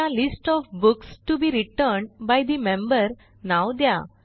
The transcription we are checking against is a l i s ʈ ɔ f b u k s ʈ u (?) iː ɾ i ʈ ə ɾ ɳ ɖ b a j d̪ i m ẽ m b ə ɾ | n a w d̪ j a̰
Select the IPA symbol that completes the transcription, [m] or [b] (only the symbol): b